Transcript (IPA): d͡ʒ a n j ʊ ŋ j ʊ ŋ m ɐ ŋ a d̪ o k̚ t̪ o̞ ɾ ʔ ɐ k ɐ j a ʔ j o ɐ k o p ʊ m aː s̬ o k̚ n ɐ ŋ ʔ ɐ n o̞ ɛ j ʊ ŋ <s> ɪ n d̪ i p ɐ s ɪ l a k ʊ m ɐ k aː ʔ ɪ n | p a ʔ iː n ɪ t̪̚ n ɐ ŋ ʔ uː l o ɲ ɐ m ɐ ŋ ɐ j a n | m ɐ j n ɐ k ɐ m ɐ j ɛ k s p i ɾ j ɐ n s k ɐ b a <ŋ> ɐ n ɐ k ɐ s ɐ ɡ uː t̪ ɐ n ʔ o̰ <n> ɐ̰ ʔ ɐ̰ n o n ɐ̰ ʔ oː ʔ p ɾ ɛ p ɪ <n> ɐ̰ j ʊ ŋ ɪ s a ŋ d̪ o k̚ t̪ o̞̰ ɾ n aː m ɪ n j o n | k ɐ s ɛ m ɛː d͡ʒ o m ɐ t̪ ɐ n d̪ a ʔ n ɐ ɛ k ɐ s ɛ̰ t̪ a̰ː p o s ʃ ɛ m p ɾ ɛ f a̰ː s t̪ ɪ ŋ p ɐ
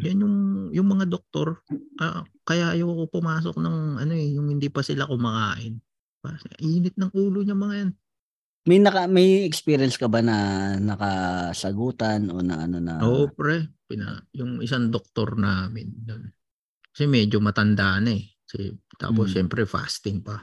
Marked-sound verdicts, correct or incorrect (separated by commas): incorrect, incorrect, correct, correct